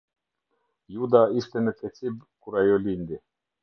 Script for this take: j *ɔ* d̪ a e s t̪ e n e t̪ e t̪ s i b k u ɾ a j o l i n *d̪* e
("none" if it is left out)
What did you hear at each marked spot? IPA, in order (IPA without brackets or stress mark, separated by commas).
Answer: u, d̪